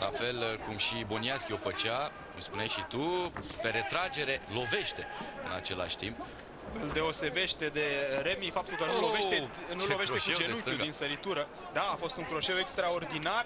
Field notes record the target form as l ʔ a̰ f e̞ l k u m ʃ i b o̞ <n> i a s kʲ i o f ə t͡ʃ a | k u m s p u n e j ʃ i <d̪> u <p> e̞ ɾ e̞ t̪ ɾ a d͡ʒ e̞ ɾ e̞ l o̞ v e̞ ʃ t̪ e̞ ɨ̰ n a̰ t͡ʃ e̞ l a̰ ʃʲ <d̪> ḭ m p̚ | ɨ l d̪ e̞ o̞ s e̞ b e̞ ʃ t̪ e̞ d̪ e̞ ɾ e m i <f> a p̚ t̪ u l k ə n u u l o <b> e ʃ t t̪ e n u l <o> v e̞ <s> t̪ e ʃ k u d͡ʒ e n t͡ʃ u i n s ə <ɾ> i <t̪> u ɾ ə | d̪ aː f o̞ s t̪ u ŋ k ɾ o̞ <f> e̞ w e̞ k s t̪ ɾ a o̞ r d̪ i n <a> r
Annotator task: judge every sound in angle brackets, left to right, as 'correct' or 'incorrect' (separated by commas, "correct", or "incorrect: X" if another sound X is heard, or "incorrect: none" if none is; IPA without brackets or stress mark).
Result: correct, incorrect: t̪, correct, incorrect: t̪, correct, incorrect: v, correct, incorrect: ʃ, correct, correct, incorrect: ʃ, correct